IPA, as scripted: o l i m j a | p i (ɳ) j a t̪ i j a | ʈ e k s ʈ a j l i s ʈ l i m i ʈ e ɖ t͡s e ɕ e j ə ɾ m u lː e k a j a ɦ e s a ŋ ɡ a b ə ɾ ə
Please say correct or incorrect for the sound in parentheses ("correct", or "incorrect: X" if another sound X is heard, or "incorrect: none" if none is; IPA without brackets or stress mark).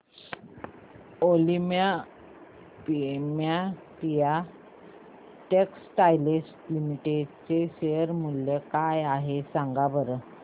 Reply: incorrect: m